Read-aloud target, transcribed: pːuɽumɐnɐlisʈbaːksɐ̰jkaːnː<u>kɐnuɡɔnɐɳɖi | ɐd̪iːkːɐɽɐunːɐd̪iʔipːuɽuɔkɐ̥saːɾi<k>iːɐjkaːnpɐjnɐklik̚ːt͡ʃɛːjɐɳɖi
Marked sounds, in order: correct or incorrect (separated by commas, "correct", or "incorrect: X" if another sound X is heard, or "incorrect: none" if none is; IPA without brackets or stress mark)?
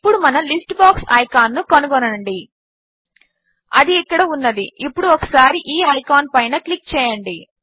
correct, incorrect: ʔ